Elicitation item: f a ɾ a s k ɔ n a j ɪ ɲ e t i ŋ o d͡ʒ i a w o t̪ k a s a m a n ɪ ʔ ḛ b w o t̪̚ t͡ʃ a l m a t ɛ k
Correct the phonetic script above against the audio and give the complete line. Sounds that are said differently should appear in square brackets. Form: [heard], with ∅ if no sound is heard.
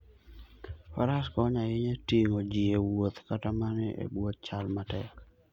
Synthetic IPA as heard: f a ɾ a s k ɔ [ɲ] a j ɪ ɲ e t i ŋ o d͡ʒ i [e] w o t̪ k a [t] a m a n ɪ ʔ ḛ b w o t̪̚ t͡ʃ a l m a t ɛ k